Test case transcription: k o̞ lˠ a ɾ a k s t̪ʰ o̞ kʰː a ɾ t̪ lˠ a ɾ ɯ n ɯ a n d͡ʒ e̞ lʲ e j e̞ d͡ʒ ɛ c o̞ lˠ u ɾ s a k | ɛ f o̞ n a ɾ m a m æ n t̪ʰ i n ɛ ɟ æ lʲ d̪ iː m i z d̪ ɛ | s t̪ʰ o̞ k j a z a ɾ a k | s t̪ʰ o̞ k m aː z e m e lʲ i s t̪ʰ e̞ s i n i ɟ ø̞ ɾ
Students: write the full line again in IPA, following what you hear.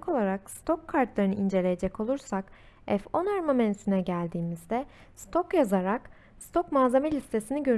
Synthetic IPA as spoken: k o̞ lˠ a ɾ a k s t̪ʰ o̞ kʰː a ɾ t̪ lˠ a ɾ ɯ n ɯ i n d͡ʒ e̞ lʲ e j e̞ d͡ʒ ɛ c o̞ lˠ u ɾ s a k | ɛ f o̞ n a ɾ m a m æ n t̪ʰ i n ɛ ɟ æ lʲ d̪ iː m i z d̪ ɛ | s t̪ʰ o̞ k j a z a ɾ a k | s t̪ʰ o̞ k m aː z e m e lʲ i s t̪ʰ e̞ s i n i ɟ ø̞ ɾ